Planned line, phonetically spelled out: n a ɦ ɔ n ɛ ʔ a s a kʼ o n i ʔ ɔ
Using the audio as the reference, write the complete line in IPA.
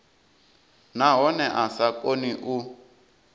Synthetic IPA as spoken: n a ɦ ɔ n ɛ ʔ a s a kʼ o n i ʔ u